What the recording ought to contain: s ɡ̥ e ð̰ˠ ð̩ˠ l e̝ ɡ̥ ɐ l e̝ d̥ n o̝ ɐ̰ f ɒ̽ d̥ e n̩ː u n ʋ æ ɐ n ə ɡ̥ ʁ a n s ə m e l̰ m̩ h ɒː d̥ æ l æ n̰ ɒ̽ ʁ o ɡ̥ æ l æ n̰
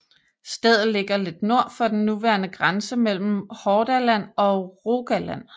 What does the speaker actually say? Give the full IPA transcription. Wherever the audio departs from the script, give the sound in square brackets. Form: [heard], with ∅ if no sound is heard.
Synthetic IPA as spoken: s [d̥] e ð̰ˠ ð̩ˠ l e̝ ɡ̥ ɐ l e̝ d̥ n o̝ ɐ̰ f ɒ̽ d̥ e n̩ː u [∅] ʋ æ ɐ n ə ɡ̥ ʁ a n s ə m e l̰ m̩ h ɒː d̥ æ l æ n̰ ɒ̽ ʁ o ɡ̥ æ l æ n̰